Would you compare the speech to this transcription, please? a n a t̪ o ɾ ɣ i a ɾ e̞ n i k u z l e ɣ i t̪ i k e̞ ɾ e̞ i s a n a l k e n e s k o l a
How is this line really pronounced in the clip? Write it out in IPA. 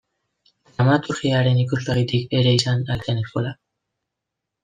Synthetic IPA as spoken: a m a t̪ u ɾ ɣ i a ɾ e̞ n i k u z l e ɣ i t̪ i k e̞ ɾ e̞ i s a n a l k e n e s k o l a

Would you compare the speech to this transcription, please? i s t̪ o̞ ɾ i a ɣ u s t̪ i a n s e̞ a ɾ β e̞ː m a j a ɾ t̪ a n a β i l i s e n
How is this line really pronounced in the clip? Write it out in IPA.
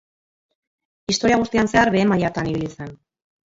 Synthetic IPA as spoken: i s t̪ o̞ ɾ i a ɣ u s t̪ i a n s e̞ a ɾ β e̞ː m a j a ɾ t̪ a n i β i l i s e n

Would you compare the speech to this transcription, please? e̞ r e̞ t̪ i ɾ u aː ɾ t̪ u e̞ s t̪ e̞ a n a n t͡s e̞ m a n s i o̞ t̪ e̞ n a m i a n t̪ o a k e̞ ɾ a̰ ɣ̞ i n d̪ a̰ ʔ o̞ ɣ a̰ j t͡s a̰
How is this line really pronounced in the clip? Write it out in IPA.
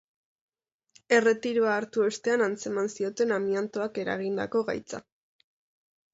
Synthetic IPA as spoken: e̞ r e̞ t̪ i ɾ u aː ɾ t̪ u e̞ s t̪ e̞ a n a n t͡s e̞ m a n s i o̞ t̪ e̞ n a m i a n t̪ o a k e̞ ɾ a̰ ɣ̞ i n d̪ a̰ k o̞ ɣ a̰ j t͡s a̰

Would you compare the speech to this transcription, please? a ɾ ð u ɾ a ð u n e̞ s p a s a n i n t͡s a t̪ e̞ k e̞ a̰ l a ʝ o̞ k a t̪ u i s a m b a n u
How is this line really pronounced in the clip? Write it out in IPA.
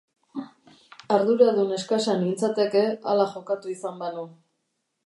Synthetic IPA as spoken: a ɾ ð u ɾ a ð u n e̞ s k a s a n i n t͡s a t̪ e̞ k e̞ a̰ l a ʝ o̞ k a t̪ u i s a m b a n u

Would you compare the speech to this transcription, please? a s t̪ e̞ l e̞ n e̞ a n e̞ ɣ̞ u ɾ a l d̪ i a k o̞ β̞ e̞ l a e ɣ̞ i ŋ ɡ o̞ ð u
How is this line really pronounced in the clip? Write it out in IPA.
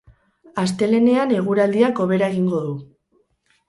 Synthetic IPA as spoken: a s t̪ e̞ l e̞ n e̞ a n e̞ ɣ̞ u ɾ a l d̪ i a k o̞ β̞ e̞ ɾ a e ɣ̞ i ŋ ɡ o̞ ð u

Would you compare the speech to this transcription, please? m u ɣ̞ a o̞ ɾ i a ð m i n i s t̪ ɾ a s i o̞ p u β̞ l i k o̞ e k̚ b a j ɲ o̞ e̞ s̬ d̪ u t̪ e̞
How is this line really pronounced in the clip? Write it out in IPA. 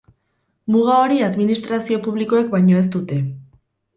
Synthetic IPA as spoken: m u ɣ̞ a o̞ ɾ i a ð m i n i s t̪ ɾ a s i o̞ p u β̞ l i k o̞ e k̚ b a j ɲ o̞ e̞ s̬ t̪ u t̪ e̞

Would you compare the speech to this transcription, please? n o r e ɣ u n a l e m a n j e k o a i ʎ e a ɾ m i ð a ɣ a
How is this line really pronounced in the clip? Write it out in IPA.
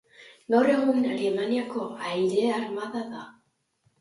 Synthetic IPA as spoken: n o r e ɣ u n a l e m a n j a k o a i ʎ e a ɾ m a ð a ð a

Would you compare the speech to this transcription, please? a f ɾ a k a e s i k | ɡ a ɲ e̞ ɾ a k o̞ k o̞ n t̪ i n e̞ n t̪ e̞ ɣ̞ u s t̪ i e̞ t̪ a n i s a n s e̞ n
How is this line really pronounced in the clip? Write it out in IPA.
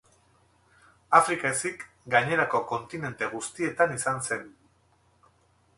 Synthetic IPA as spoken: a f ɾ i k a e s i k | ɡ a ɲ e̞ ɾ a k o̞ k o̞ n t̪ i n e̞ n t̪ e̞ ɣ̞ u s t̪ i e̞ t̪ a n i s a n s e̞ n

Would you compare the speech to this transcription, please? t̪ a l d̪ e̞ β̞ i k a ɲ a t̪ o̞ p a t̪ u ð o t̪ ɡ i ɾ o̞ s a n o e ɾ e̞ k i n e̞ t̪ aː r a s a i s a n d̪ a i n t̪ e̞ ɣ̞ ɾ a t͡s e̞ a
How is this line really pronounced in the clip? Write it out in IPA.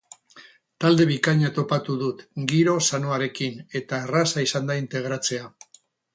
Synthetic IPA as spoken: t̪ a l d̪ e̞ β̞ i k a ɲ a t̪ o̞ p a t̪ u ð u t̪ ɡ i ɾ o̞ s a n o a ɾ e̞ k i n e̞ t̪ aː r a s a i s a n d̪ a i n t̪ e̞ ɣ̞ ɾ a t͡s e̞ a

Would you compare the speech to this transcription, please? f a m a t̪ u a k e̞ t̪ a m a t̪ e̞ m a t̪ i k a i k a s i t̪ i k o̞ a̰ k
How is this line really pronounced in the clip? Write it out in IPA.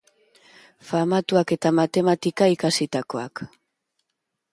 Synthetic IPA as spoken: f a m a t̪ u a k e̞ t̪ a m a t̪ e̞ m a t̪ i k a i k a s i t̪ a k o̞ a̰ k

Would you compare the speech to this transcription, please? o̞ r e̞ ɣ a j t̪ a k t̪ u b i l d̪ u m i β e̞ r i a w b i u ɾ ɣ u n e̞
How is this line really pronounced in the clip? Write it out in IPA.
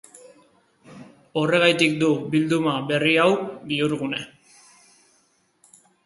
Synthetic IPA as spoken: o̞ r e̞ ɣ a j t̪ i k d̪ u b i l d̪ u m a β e̞ r i a w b i u ɾ ɣ u n e̞

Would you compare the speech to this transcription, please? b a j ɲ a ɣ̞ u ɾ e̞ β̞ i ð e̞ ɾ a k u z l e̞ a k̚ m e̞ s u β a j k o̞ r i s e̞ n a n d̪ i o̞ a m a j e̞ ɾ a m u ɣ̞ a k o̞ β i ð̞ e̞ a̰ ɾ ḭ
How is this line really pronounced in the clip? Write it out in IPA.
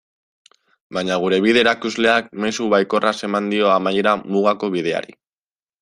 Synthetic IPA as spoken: b a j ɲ a ɣ̞ u ɾ e̞ β̞ i ð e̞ ɾ a k u z l e̞ a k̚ m e̞ s u β a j k o̞ r a s e̞ m a n d̪ i o̞ a m a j e̞ ɾ a m u ɣ̞ a k o̞ β i ð̞ e̞ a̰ ɾ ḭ

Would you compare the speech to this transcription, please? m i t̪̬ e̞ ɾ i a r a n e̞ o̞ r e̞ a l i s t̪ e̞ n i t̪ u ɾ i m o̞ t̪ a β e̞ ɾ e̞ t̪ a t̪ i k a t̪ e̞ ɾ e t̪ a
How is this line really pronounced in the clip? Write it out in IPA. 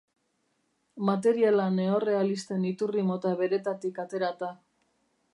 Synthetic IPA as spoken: m a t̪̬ e̞ ɾ i a l a n e̞ o̞ r e̞ a l i s t̪ e̞ n i t̪ u r i m o̞ t̪ a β e̞ ɾ e̞ t̪ a t̪ i k a t̪ e̞ ɾ a t̪ a

